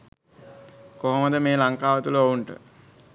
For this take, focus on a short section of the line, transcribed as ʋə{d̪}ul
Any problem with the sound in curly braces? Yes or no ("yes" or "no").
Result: yes